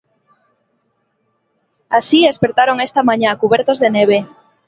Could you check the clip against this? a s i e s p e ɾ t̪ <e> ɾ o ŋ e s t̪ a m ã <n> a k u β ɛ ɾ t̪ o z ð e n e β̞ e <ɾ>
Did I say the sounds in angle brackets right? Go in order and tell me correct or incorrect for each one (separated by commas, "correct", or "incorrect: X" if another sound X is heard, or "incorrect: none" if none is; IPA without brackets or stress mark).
incorrect: a, incorrect: ɲ, incorrect: none